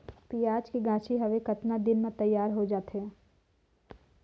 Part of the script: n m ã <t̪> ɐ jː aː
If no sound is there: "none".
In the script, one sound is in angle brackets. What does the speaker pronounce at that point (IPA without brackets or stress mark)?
t̪